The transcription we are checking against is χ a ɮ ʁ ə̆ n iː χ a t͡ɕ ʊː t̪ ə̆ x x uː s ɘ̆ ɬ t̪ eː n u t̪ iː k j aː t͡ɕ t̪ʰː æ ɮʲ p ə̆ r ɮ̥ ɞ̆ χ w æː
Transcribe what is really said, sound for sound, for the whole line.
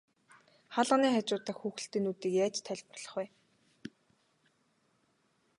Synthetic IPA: χ a ɮ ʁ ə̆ n iː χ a t͡ɕ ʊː t̪ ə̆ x x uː x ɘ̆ ɬ t̪ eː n u t̪ iː k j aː t͡ɕ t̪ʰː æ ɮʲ p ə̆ r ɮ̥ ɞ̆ χ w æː